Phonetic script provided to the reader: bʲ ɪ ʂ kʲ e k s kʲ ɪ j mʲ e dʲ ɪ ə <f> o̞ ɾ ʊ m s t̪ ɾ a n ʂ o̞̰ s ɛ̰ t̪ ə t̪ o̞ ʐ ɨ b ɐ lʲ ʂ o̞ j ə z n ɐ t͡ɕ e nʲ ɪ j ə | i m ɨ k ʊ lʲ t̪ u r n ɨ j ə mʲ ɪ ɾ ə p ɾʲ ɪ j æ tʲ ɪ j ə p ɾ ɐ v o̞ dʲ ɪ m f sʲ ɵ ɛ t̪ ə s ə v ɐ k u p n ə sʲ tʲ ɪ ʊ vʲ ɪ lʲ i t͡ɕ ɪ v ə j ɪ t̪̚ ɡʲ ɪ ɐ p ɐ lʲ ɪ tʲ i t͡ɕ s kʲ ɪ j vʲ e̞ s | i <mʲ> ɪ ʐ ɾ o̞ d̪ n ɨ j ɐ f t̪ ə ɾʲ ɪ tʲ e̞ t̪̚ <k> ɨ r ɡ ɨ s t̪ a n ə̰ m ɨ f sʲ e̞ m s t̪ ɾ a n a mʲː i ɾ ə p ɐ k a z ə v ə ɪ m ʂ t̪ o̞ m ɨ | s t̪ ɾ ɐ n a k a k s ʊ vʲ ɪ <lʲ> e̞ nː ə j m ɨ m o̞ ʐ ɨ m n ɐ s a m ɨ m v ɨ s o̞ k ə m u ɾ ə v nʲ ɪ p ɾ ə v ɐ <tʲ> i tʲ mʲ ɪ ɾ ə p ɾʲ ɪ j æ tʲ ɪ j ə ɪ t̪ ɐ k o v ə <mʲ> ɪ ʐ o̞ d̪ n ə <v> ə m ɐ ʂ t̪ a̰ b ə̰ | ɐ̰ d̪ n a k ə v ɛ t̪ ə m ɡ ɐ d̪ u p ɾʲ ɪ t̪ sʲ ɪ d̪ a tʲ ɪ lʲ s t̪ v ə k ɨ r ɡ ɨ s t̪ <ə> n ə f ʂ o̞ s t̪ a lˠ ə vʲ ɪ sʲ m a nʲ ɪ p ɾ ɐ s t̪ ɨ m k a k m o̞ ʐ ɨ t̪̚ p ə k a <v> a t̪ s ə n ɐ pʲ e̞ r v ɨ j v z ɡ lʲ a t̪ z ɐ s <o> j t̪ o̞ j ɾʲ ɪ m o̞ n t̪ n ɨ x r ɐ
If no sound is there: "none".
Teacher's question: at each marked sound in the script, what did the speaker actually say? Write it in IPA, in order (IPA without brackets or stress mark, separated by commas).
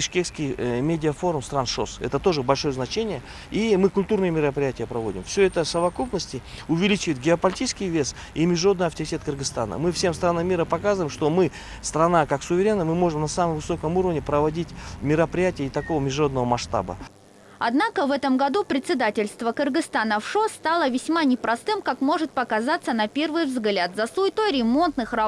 f, mʲ, k, ɾʲ, dʲ, mʲ, v, a, z, u